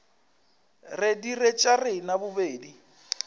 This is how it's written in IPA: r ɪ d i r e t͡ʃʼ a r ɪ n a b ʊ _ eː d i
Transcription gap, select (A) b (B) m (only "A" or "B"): A